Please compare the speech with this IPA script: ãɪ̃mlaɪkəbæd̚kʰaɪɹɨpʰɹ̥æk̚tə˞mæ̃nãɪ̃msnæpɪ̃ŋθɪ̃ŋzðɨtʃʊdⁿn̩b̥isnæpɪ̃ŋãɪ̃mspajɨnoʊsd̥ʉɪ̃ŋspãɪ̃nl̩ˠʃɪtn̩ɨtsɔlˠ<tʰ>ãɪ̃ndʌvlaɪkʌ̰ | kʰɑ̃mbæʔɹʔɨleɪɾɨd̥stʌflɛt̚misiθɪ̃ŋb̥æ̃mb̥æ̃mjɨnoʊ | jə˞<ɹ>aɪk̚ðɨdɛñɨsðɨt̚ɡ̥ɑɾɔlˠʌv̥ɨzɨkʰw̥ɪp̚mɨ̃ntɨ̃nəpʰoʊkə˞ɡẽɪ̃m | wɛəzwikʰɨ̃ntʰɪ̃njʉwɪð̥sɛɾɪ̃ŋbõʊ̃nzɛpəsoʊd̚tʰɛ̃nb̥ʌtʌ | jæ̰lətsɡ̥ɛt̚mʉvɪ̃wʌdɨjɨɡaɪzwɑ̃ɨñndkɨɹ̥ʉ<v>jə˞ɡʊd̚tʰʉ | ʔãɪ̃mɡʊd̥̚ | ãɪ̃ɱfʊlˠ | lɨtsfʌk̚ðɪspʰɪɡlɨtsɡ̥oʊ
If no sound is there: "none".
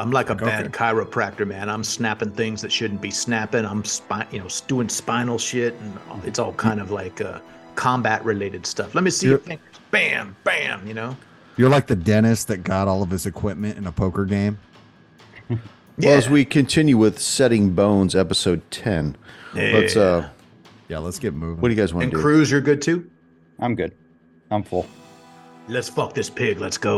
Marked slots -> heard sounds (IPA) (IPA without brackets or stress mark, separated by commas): kʰ, l, z